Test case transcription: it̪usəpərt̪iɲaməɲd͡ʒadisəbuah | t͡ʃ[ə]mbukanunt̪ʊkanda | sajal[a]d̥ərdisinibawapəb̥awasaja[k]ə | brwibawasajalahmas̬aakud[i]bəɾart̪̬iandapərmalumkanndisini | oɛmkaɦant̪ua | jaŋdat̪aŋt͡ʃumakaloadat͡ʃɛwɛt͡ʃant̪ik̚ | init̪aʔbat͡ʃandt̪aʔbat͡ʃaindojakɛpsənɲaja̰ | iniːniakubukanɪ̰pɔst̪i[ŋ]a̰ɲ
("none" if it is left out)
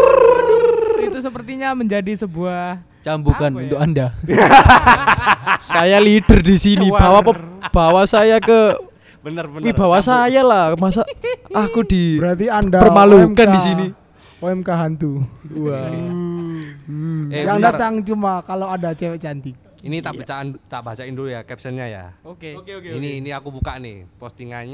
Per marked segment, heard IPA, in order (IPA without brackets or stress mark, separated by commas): a, i, k, i, ŋ